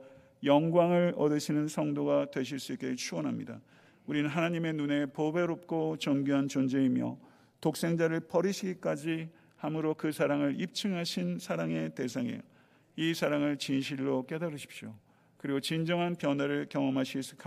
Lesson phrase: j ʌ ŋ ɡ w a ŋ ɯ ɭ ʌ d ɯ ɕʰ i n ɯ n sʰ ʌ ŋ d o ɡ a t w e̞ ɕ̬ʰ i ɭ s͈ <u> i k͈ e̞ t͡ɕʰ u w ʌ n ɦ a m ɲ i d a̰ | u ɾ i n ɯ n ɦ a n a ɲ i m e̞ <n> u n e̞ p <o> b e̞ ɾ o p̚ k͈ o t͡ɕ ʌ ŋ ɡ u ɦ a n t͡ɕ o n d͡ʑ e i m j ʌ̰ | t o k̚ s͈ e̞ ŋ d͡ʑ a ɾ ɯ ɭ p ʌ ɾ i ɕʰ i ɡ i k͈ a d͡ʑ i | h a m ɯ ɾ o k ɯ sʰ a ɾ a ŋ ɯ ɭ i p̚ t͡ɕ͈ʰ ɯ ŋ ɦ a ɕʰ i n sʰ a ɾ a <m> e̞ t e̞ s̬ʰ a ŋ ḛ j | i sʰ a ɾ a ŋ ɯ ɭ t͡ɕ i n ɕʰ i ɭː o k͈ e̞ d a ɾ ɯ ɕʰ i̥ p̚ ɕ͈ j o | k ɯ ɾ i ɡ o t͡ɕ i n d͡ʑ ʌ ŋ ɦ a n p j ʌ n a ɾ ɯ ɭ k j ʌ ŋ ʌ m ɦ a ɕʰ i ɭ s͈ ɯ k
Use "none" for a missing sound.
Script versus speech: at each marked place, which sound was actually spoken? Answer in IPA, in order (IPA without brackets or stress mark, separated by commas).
u, n, o, ŋ